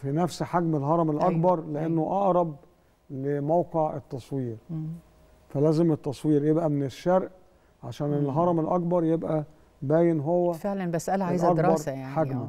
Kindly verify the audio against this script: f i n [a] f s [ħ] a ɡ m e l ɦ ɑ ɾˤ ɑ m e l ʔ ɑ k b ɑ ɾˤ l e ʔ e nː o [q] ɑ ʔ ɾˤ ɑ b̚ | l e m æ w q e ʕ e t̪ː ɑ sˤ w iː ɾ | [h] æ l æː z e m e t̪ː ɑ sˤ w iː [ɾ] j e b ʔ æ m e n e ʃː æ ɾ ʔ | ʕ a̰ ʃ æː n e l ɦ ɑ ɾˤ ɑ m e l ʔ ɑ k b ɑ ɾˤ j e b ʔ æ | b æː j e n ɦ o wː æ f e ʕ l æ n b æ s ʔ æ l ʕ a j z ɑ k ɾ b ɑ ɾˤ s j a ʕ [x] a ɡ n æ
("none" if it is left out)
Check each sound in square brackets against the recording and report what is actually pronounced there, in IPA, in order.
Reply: æ, ħ, ʔ, f, ɾ, ħ

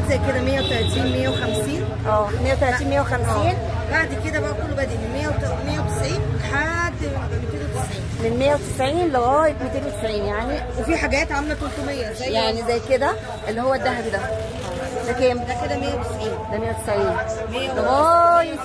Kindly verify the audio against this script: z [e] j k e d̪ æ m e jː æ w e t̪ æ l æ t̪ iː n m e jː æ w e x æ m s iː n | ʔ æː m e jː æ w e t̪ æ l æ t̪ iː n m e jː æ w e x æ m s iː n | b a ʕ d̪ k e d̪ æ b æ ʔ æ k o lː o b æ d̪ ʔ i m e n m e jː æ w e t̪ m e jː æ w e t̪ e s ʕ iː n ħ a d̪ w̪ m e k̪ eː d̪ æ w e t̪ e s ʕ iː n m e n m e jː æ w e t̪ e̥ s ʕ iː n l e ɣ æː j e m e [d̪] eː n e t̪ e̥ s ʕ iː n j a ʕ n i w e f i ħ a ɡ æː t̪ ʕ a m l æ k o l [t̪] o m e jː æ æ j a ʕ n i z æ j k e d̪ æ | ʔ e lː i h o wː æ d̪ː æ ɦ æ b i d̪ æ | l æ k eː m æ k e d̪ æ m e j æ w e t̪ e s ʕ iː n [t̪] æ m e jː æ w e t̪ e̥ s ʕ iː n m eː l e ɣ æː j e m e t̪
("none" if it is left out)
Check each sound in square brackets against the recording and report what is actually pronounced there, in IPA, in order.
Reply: æ, t̪, t̪, d̪

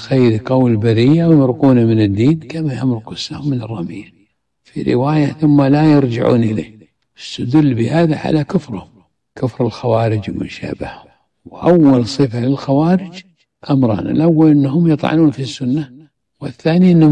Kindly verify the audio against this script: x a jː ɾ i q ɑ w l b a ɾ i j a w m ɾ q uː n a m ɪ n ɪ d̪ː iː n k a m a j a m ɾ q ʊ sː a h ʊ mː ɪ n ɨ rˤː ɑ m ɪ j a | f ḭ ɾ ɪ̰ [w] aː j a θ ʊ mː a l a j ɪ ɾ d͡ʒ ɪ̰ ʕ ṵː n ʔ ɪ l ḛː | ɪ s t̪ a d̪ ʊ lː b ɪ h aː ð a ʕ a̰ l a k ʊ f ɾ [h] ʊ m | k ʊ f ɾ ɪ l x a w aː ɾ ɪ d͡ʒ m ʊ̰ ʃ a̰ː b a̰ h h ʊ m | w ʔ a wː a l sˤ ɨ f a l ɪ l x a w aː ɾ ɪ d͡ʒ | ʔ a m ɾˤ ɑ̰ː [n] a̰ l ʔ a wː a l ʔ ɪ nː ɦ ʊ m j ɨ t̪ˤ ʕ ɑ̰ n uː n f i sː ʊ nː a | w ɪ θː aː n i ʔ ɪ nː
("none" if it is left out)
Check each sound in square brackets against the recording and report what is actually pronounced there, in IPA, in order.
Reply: w, h, n

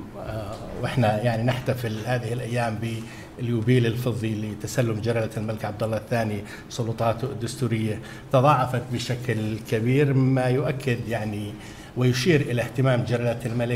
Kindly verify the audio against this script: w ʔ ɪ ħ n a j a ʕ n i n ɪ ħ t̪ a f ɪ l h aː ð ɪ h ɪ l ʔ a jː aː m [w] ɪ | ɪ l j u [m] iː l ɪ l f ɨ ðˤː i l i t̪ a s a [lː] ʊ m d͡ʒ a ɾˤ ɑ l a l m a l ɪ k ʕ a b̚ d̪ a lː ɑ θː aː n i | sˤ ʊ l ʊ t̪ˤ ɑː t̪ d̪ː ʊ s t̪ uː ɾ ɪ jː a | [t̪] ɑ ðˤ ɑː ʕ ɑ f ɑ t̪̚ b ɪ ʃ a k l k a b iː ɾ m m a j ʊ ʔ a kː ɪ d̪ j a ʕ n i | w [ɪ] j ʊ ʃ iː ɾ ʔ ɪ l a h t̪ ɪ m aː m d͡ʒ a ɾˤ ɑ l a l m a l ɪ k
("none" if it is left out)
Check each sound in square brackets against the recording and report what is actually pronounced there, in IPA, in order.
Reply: b, b, lː, t̪, ɪ

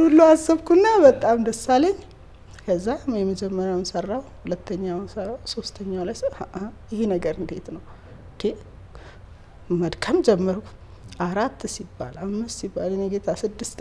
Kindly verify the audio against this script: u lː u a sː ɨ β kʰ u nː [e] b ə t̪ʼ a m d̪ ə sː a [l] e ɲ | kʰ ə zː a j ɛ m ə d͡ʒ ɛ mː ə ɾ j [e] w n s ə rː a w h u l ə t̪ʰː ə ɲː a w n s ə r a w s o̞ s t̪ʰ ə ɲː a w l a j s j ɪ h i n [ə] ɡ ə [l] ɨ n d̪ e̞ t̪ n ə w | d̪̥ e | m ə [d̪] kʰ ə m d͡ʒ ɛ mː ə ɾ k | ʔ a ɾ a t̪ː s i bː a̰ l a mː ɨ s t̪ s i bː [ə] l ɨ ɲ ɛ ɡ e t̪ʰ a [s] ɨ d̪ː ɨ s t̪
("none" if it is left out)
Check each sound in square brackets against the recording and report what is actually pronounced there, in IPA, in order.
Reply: a, l, a, ə, ɾ, d̪, a, s

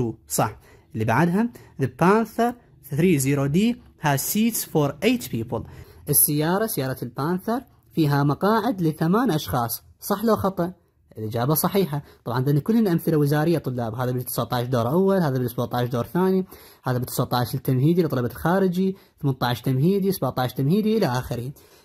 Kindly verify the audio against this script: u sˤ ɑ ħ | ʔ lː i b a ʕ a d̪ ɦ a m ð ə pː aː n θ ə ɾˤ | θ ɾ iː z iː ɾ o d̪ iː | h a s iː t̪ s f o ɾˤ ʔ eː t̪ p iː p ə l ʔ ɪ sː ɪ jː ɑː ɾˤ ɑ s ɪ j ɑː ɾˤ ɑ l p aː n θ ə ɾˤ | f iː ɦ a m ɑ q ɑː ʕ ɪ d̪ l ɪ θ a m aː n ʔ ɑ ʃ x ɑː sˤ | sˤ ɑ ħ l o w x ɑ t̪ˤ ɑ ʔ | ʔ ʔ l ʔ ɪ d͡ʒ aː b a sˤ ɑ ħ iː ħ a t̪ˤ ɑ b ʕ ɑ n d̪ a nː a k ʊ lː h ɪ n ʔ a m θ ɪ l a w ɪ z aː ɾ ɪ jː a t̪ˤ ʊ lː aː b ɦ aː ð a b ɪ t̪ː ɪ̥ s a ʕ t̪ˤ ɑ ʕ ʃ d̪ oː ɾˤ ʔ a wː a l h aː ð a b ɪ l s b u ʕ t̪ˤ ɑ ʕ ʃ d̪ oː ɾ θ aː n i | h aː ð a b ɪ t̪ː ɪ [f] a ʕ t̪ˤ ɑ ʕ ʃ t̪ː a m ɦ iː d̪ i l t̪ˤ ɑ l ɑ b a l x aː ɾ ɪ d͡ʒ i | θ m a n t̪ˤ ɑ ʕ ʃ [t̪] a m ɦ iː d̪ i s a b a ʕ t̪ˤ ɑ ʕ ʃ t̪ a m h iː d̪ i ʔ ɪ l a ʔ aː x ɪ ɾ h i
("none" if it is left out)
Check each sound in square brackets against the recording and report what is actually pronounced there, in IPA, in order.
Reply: s, t̪

